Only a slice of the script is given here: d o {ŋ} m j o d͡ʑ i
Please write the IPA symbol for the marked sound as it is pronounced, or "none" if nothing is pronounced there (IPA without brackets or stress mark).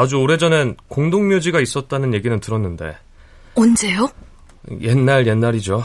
ŋ